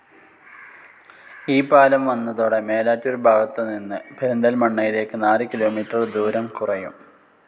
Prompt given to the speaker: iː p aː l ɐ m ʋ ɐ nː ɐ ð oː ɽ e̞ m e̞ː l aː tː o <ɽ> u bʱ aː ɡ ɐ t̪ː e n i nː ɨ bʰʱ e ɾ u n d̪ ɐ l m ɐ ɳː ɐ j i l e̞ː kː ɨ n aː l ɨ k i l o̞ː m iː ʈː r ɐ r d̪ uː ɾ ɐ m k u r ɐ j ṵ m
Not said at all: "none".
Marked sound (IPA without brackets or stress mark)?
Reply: ɾ